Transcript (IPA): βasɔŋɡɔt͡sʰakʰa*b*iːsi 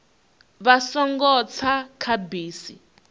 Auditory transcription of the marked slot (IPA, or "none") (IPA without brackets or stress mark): b